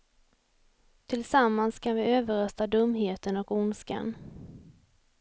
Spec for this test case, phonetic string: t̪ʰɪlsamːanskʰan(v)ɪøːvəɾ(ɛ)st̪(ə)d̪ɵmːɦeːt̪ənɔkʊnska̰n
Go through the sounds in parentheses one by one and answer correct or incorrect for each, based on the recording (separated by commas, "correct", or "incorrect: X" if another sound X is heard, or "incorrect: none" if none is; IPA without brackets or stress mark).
correct, incorrect: œ, incorrect: a